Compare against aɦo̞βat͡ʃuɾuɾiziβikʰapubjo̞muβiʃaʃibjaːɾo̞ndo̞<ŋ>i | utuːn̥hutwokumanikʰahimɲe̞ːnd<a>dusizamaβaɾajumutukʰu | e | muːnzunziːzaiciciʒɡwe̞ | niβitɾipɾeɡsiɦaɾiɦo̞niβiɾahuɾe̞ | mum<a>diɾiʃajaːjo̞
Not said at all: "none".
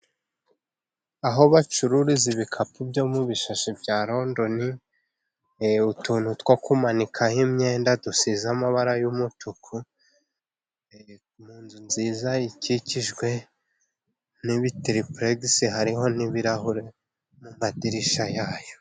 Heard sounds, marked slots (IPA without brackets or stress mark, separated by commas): n, a, a